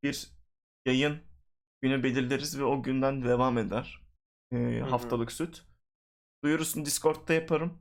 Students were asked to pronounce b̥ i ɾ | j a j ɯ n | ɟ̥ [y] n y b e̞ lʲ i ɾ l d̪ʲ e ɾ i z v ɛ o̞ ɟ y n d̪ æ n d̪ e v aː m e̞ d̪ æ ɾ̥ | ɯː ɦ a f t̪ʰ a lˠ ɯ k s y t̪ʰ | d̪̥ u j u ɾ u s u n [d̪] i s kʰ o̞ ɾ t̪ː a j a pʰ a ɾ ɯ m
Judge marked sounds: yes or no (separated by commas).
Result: yes, yes